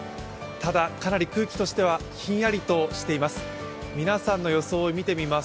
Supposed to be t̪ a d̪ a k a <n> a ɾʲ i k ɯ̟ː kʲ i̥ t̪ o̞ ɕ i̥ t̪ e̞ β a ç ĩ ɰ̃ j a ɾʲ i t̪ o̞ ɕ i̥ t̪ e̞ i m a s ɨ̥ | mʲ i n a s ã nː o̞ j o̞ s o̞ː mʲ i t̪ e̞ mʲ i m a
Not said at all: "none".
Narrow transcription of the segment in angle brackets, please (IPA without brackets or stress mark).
n